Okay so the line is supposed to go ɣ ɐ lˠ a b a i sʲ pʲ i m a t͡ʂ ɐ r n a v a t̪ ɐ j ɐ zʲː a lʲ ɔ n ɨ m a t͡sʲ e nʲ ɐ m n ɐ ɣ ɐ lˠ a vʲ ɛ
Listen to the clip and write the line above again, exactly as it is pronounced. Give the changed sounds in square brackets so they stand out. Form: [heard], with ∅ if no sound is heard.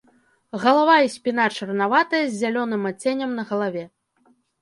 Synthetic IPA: ɣ ɐ lˠ a [v] a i sʲ pʲ i [n] a t͡ʂ ɐ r n a v a t̪ ɐ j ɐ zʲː a lʲ ɔ n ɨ m a t͡sʲ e nʲ ɐ m n ɐ ɣ ɐ lˠ a vʲ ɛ